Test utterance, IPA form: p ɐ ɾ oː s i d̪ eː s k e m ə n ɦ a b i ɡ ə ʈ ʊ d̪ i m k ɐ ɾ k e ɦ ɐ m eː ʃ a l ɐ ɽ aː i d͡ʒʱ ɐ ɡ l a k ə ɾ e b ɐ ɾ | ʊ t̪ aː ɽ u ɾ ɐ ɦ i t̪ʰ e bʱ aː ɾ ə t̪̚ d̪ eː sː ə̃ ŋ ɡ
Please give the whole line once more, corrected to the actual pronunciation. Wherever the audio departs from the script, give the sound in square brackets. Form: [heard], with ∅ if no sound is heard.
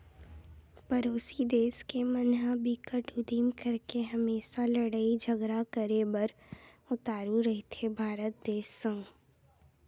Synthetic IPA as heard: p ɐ ɾ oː s i d̪ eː s k e m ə n ɦ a b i [k] ə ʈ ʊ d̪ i m k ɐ ɾ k e ɦ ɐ m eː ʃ a l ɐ ɽ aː i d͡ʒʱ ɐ ɡ [ɾ] a k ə ɾ e b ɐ ɾ | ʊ t̪ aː [ɾ] u ɾ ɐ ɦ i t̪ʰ e bʱ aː ɾ ə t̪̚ d̪ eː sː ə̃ ŋ ɡ